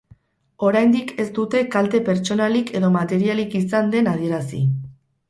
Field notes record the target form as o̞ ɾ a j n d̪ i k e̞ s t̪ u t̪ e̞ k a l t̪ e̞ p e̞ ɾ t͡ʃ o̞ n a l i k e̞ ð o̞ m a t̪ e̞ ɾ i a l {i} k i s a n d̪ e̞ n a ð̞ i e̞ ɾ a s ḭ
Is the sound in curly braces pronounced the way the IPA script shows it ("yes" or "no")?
yes